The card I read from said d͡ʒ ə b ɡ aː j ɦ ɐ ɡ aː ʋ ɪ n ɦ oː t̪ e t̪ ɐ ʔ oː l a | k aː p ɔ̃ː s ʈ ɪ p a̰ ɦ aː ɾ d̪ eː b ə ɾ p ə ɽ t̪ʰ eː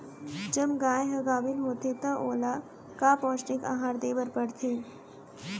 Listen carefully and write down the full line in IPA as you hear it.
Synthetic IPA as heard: d͡ʒ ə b ɡ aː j ɦ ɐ ɡ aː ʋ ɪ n ɦ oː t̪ e t̪ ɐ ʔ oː l a | k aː p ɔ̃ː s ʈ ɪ k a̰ ɦ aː ɾ d̪ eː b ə ɾ p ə ɽ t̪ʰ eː